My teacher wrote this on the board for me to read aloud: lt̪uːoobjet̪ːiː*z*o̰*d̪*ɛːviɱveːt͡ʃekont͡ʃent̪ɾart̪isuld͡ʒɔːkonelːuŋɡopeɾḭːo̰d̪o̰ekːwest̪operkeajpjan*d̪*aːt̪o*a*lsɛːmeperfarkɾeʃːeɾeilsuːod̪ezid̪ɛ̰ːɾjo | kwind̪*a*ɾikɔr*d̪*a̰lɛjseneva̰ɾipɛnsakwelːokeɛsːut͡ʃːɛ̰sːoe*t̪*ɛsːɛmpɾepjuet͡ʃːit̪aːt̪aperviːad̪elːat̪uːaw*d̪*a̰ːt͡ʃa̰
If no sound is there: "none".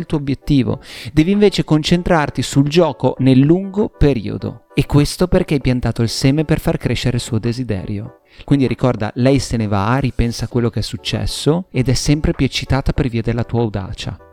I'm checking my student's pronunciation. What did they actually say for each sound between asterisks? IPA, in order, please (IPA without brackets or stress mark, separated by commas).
v, d̪, t̪, i, i, d̪, d̪, d̪